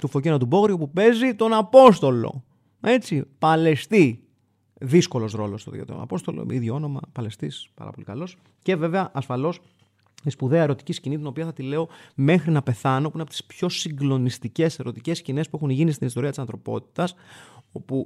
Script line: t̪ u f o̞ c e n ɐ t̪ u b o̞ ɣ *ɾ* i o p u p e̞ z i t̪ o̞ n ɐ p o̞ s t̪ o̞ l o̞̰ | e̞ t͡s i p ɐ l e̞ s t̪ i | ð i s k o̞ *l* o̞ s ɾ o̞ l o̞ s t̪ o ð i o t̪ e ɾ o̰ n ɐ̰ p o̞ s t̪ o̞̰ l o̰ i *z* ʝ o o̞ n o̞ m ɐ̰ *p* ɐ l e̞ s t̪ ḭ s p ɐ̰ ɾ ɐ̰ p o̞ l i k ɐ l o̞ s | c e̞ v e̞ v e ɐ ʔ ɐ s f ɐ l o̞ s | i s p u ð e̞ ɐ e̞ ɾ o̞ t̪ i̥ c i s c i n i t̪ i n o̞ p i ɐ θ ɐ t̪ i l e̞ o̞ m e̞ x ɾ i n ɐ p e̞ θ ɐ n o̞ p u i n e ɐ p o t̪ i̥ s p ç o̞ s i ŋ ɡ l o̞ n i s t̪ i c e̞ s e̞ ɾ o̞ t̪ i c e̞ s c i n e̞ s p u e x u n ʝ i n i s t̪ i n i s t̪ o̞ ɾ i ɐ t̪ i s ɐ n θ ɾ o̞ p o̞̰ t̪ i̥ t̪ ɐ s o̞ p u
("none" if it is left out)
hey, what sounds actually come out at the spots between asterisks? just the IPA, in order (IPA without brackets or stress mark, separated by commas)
ɾ, l, ð, p